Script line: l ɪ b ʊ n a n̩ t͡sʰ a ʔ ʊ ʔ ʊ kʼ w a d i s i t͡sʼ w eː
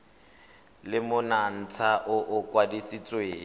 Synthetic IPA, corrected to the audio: l ɪ m ʊ n a n̩ t͡sʰ a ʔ ʊ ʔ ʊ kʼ w a d i s i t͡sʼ w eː